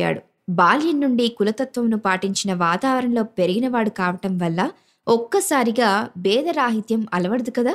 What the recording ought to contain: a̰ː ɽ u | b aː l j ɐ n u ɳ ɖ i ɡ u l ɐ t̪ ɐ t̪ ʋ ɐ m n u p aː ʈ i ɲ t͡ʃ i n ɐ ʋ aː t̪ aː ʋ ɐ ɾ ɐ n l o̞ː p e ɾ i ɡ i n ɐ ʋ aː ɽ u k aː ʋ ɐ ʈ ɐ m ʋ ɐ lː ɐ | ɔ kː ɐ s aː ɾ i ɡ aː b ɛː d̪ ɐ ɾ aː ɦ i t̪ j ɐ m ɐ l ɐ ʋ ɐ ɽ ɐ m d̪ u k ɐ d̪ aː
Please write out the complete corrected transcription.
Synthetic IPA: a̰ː ɽ u | b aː l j ɐ nː u ɳ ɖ i k u l ɐ t̪ ɐ t̪ ʋ ɐ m n u p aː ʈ i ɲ t͡ʃ i n ɐ ʋ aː t̪ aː ʋ ɐ ɾ ɐ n l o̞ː p e ɾ i ɡ i n ɐ ʋ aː ɽ u k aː ʋ ɐ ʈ ɐ m ʋ ɐ lː ɐ | ɔ kː ɐ s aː ɾ i ɡ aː b ɛː d̪ ɐ ɾ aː ɦ i t̪ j ɐ m ɐ l ɐ ʋ ɐ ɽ ɐ d̪ u k ɐ d̪ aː